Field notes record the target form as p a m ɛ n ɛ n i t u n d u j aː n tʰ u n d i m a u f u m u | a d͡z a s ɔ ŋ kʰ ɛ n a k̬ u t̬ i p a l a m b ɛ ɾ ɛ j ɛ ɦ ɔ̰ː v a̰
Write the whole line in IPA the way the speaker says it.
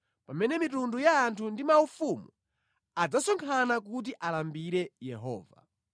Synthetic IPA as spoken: p a m ɛ n ɛ m i t u n d u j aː n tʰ u n d i m a u f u m u | a d͡z a s ɔ ŋ kʰ a n a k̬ u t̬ i ʔ a l a m b i ɾ ɛ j ɛ ɦ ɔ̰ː v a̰